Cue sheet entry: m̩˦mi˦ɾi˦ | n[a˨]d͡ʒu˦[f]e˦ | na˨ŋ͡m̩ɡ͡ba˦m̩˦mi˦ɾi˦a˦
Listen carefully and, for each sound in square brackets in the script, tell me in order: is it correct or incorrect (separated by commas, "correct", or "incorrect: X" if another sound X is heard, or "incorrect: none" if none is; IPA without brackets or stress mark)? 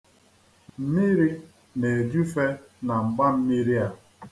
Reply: incorrect: e˨, correct